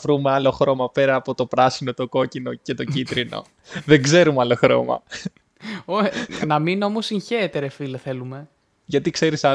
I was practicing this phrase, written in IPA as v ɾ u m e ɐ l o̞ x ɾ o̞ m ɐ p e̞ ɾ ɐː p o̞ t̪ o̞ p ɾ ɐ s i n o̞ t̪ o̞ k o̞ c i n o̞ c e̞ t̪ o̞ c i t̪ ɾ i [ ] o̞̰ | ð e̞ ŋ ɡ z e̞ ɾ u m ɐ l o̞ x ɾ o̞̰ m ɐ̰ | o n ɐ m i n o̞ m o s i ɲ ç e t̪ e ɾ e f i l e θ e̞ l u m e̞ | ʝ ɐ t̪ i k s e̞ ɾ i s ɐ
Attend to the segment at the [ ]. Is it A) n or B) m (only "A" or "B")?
A